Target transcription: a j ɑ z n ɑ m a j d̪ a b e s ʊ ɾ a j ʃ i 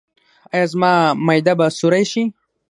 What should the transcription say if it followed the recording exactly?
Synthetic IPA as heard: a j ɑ z m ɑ m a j d̪ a b a s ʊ ɾ a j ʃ i